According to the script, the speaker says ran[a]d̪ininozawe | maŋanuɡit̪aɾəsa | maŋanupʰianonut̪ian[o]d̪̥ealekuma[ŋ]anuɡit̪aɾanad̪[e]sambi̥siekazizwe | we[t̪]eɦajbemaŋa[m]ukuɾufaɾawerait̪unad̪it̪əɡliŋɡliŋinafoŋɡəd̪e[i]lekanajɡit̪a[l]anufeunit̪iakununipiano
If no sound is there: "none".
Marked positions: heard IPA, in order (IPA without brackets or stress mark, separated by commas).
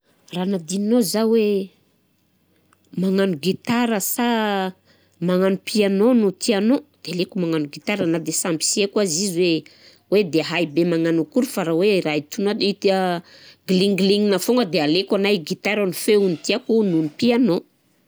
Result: a, o, ŋ, e, d̪, n, a, ɾ